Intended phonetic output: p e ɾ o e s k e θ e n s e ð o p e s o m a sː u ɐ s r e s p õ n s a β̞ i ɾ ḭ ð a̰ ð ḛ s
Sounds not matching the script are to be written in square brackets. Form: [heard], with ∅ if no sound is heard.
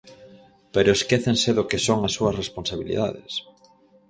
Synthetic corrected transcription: p e ɾ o e s k e θ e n s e ð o [k] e s o [ŋ] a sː u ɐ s r e s p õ n s a β̞ i [l] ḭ ð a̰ ð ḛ s